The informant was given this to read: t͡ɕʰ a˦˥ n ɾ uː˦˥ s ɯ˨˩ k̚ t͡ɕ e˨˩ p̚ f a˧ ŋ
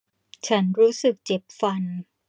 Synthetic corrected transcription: t͡ɕʰ a˦˥ n ɾ uː˦˥ s ɯ˨˩ k̚ t͡ɕ e˨˩ p̚ f a˧ n